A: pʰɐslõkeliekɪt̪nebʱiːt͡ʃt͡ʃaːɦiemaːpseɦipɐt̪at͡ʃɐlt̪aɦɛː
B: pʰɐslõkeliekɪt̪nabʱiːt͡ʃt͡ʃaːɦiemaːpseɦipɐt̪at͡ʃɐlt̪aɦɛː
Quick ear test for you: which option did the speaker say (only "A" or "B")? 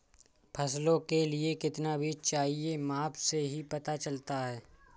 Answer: B